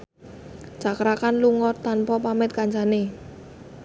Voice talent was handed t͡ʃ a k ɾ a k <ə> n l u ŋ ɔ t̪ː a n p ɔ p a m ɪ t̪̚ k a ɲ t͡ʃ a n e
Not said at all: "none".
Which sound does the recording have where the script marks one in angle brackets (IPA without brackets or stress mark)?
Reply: a